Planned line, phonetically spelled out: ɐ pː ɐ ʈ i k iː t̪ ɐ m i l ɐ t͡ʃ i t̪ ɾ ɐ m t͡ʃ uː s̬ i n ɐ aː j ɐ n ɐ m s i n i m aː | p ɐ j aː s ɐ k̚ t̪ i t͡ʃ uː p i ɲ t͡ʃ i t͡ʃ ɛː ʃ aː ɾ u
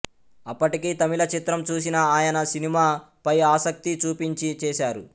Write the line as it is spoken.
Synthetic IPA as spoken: ɐ pː ɐ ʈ i k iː t̪ ɐ m i l ɐ t͡ʃ i t̪ ɾ ɐ m t͡ʃ uː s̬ i n ɐ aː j ɐ n ɐ s i n i m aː | p ɐ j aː s ɐ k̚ t̪ i t͡ʃ uː p i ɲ t͡ʃ i t͡ʃ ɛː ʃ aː ɾ u